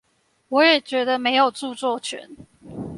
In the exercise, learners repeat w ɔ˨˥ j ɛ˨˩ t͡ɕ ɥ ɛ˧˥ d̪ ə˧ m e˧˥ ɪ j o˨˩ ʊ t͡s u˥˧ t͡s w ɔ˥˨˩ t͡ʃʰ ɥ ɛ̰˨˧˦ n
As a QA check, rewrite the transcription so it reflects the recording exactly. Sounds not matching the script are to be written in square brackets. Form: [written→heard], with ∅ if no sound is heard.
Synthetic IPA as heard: w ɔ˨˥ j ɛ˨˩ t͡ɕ ɥ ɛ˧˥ d̪ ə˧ m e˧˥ ɪ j o˨˩ ʊ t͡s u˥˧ t͡s w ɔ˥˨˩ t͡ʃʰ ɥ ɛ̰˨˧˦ n